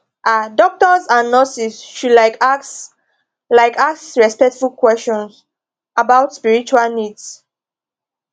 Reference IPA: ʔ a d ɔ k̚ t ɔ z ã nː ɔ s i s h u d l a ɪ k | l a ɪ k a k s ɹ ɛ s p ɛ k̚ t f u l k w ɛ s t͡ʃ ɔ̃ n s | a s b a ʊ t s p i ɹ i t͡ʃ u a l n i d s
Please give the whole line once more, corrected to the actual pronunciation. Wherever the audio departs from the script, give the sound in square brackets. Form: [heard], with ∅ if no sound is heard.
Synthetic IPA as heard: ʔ a d ɔ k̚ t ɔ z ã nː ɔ s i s [ʃ] u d l a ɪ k | l a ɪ k a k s ɹ ɛ s p ɛ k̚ t f u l k w ɛ s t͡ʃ ɔ̃ n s | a [∅] b a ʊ t s p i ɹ i t͡ʃ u a l n i d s